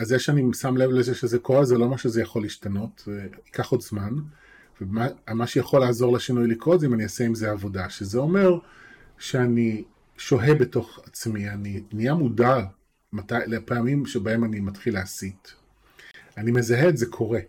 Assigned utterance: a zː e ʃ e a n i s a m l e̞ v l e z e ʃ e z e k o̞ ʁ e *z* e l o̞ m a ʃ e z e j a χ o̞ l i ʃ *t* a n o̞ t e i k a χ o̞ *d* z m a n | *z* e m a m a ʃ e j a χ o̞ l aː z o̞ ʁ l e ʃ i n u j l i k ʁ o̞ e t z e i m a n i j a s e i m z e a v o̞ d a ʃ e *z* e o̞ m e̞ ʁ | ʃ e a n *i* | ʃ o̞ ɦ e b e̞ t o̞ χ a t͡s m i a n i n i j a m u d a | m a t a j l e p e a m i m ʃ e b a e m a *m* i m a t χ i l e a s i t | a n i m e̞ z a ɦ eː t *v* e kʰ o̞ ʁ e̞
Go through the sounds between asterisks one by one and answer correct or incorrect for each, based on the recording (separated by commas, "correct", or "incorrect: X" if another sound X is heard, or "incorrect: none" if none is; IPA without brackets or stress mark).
correct, correct, correct, incorrect: v, correct, correct, incorrect: n, incorrect: z